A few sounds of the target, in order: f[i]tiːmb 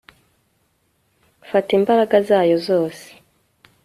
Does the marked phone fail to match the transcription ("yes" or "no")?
yes